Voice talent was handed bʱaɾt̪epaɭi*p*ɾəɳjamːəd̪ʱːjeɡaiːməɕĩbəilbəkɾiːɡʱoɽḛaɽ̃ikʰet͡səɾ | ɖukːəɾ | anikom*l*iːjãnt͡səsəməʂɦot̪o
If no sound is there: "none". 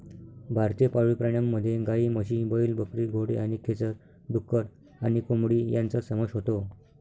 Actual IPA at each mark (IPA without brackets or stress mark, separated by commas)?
p, ɽ